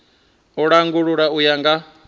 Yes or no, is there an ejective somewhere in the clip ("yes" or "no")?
no